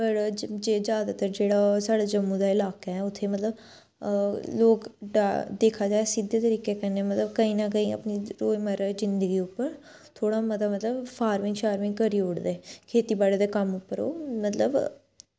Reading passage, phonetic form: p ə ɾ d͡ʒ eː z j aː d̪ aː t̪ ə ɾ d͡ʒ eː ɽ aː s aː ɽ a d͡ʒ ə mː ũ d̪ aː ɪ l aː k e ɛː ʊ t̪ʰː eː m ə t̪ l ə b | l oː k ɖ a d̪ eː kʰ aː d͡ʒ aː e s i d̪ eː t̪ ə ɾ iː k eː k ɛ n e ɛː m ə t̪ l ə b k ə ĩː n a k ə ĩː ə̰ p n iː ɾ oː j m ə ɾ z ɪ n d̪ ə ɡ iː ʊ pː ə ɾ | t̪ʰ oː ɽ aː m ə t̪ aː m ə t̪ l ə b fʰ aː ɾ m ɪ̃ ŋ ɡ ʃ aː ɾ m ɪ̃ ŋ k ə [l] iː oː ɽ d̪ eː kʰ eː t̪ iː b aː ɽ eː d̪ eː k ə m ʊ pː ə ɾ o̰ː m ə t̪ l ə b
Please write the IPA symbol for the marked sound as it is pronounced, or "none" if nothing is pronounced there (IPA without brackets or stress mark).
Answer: ɾ